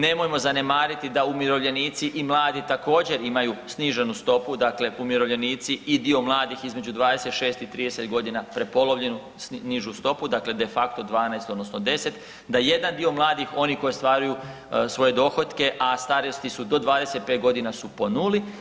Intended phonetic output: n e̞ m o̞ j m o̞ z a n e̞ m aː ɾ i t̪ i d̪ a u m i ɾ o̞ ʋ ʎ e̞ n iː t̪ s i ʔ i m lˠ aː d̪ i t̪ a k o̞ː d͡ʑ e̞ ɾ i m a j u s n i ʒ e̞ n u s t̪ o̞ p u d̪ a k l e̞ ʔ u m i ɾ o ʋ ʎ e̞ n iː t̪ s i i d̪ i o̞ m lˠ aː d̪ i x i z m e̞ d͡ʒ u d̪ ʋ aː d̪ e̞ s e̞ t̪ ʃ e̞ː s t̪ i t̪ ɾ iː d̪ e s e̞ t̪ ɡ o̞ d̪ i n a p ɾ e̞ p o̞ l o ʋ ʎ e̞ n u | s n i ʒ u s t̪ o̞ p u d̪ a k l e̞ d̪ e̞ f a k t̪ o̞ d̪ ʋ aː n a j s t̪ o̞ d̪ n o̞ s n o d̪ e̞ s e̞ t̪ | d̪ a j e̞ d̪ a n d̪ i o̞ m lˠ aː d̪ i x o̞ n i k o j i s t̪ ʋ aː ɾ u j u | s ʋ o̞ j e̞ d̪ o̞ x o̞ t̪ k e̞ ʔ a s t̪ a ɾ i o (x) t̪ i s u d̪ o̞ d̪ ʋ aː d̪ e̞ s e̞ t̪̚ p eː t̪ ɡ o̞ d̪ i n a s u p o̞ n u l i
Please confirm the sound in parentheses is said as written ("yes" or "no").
no